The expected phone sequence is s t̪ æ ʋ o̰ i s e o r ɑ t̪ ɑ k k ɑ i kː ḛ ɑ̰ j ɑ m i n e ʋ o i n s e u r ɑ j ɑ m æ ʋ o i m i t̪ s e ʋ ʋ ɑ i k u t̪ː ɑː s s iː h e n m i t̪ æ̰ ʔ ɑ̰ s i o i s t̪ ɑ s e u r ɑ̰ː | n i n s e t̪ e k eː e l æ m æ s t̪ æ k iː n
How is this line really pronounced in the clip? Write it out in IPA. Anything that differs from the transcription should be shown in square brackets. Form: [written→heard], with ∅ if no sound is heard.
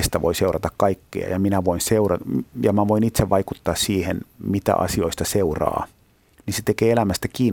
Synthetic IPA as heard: s t̪ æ ʋ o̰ i s e [o→u] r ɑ t̪ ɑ k k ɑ i kː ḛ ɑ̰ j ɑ m i n [e→æ] ʋ o i n s e u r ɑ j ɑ m æ ʋ o i [m→n] i t̪ s e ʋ ʋ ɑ i k u t̪ː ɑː s s iː h e n m i t̪ æ̰ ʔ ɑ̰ s i o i s t̪ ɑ s e u r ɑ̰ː | n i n s e t̪ e k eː e l æ m æ s t̪ æ k iː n